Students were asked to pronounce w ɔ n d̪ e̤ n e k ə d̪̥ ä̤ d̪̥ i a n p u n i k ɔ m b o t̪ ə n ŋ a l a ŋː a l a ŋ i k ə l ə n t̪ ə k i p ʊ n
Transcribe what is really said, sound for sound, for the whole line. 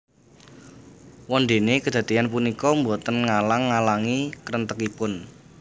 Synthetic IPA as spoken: w ɔ n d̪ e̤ n e k ə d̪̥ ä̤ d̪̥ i a n p u n i k ɔ m b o t̪ ə n ŋ a l a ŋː a l a ŋ i k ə ɾ ə n t̪ ə k i p ʊ n